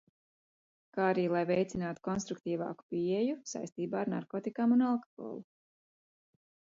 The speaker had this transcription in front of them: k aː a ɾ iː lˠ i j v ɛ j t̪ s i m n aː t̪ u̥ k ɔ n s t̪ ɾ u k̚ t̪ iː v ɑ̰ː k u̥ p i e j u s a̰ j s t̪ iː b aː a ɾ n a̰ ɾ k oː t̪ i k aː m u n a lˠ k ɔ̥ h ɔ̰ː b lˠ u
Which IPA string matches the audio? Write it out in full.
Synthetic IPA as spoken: k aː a ɾ iː lˠ a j v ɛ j t̪ s i n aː t̪ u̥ k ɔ n s t̪ ɾ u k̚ t̪ iː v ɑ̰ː k u̥ p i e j u s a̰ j s t̪ iː b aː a ɾ n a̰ ɾ k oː t̪ i k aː m u n a lˠ k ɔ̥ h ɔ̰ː lˠ u